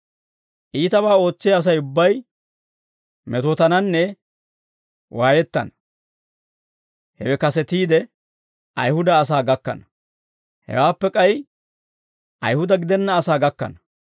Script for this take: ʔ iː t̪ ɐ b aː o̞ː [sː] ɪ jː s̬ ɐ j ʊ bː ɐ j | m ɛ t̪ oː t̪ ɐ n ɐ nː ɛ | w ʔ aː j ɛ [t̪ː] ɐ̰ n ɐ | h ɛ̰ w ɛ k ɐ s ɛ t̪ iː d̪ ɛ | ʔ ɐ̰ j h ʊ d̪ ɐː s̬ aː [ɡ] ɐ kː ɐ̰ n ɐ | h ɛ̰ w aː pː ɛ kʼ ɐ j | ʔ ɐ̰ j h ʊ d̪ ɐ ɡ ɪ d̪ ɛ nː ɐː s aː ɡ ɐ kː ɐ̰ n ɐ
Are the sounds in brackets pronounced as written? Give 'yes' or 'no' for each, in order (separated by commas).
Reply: no, yes, yes